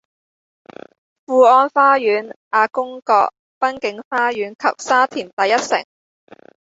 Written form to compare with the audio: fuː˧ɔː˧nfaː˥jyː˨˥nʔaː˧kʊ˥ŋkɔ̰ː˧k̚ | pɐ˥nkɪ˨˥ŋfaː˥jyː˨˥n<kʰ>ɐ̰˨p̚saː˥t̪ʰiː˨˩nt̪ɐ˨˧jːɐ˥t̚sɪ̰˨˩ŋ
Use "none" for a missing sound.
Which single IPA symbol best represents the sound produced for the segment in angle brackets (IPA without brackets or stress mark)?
kʰ